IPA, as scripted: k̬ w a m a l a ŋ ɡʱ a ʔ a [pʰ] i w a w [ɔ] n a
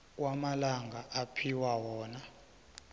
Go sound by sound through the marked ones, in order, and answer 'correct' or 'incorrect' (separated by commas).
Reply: correct, incorrect